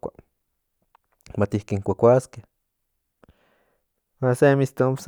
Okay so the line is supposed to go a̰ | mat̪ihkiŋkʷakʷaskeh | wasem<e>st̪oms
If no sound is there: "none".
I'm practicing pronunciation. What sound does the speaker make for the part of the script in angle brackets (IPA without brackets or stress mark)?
i